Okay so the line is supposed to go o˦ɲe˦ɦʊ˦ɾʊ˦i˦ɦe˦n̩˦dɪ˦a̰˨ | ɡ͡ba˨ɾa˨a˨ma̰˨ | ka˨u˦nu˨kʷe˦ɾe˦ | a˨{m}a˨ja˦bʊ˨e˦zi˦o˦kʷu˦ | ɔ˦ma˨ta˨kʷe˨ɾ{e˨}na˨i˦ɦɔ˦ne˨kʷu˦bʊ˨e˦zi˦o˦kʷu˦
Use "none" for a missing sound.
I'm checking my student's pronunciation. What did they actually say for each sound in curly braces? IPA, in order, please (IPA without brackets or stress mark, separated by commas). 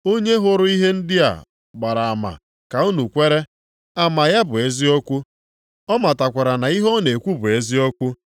m, a˨